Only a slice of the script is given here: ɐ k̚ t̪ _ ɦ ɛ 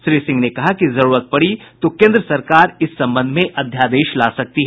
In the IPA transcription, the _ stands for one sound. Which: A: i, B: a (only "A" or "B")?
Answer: A